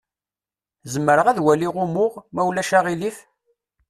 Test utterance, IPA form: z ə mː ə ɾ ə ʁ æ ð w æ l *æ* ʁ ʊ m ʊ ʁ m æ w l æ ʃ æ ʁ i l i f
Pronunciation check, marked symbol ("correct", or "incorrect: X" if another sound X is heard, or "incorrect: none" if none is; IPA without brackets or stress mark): incorrect: i